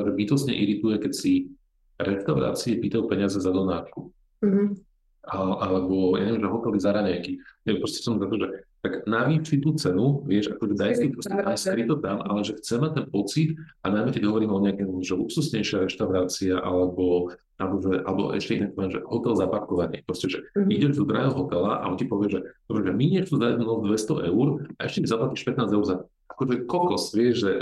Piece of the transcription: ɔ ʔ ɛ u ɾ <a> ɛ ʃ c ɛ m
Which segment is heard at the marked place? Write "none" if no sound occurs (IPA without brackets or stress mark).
a